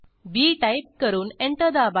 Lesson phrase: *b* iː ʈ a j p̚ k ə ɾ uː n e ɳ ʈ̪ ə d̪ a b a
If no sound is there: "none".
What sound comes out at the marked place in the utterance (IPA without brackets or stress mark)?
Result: b